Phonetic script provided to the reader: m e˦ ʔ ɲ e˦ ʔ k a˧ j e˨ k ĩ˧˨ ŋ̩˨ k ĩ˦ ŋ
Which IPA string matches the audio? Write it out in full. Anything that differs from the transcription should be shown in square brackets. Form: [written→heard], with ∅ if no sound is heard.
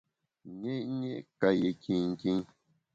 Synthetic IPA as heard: [m→ɲ] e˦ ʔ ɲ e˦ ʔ k a˧ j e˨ k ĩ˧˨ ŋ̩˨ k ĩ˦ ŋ